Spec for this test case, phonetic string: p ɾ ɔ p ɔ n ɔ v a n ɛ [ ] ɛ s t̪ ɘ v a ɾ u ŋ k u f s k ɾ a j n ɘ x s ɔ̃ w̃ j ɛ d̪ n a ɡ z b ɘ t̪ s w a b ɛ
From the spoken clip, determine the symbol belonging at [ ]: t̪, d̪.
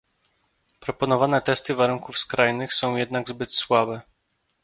t̪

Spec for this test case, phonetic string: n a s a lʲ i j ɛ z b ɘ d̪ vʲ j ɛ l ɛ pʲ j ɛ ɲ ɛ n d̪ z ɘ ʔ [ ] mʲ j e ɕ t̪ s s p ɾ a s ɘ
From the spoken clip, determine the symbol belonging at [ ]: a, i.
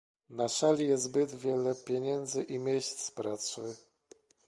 i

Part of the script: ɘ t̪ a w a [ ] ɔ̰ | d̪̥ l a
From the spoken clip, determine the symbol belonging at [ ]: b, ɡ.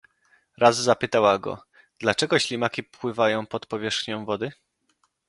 ɡ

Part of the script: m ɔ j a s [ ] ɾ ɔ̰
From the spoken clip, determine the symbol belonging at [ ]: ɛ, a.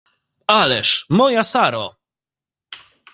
a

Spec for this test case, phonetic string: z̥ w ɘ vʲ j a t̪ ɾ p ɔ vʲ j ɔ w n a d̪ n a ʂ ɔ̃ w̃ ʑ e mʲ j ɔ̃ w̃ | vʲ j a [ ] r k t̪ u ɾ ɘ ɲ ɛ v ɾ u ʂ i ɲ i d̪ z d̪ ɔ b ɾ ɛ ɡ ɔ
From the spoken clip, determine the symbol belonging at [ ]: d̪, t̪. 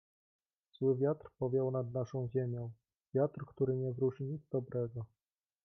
t̪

